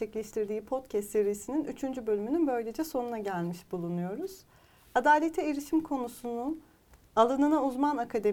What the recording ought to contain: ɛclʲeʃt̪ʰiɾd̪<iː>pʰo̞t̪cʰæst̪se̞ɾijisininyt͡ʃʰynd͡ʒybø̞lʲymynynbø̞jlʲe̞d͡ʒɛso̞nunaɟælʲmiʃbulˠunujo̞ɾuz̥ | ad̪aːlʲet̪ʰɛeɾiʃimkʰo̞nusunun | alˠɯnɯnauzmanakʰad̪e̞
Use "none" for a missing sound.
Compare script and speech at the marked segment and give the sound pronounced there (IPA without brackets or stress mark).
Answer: iː